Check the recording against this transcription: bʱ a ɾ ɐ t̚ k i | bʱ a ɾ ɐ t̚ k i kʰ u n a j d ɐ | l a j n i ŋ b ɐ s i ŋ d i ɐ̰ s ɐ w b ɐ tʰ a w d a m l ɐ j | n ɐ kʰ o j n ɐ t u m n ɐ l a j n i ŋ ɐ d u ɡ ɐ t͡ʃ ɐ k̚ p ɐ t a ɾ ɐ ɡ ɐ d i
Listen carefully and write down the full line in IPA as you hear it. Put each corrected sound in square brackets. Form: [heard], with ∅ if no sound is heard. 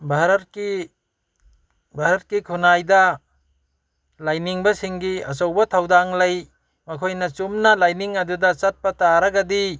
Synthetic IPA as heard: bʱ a ɾ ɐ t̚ k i | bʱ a ɾ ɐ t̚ k i kʰ u n a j d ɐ | l a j n i ŋ b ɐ s i ŋ [ɡ] i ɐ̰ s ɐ w b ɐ tʰ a w d a [ŋ] l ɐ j | [m] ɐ kʰ o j n ɐ [t͡ʃ] u m n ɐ l a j n i ŋ ɐ d u [d] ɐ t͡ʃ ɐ [t̚] p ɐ t a ɾ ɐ ɡ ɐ d i